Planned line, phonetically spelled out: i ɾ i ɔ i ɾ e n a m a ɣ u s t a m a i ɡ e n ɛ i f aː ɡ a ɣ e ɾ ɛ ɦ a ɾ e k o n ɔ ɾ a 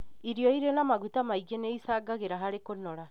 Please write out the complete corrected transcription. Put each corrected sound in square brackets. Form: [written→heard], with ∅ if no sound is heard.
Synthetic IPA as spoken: i ɾ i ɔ i ɾ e n a m a ɣ u [s→∅] t a m a i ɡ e n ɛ i [f→s] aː ɡ a ɣ e ɾ [ɛ→a] ɦ a ɾ e k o n ɔ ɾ a